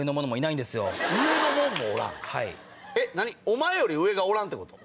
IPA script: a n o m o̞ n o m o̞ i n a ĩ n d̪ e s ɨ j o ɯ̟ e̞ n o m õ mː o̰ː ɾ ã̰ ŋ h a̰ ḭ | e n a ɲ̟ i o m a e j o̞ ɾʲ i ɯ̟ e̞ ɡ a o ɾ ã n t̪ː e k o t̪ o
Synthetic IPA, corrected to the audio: e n o m o̞ n o m o̞ i n a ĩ n d̪ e s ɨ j o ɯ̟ e̞ n o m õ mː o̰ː ɾ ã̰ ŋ h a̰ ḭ | e n a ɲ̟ i o m a e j o̞ ɾʲ i ɯ̟ e̞ ɡ a o ɾ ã n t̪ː e k o t̪ o